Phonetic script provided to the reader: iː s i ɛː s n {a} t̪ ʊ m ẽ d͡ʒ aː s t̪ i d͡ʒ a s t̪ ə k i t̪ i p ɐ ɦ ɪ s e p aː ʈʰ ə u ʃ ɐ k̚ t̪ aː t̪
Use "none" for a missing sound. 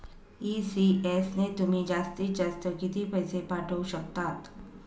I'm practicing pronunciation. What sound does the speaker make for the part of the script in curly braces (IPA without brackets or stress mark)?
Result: e